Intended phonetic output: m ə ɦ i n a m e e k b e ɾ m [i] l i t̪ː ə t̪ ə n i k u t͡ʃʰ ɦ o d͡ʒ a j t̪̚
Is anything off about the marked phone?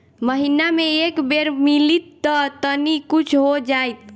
no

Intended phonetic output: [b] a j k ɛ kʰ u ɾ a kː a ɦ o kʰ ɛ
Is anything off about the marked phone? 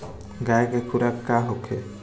yes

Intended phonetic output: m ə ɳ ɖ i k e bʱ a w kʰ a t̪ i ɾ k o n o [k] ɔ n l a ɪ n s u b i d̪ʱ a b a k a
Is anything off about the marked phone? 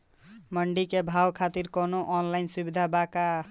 yes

